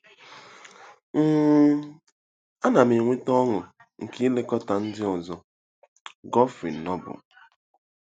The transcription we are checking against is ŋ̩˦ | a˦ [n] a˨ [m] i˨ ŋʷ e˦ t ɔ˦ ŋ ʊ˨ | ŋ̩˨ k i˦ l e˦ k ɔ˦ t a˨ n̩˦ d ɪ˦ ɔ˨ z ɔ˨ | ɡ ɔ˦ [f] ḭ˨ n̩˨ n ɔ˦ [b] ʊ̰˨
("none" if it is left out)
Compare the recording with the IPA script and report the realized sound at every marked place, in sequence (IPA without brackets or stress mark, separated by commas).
n, m, f, b